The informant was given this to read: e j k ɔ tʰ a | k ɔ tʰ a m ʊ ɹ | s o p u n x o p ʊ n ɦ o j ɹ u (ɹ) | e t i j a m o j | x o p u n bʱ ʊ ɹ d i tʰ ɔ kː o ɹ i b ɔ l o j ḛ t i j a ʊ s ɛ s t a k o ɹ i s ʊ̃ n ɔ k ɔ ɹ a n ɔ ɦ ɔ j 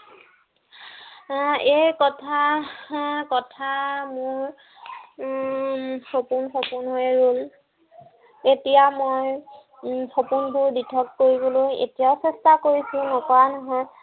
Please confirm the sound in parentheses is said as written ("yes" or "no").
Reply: no